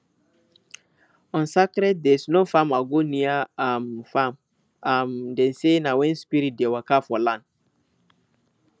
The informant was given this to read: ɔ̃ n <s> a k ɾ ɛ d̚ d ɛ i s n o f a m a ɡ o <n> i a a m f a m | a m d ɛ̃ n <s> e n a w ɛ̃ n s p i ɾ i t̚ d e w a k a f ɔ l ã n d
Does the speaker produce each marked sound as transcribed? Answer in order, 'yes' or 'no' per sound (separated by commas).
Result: yes, yes, yes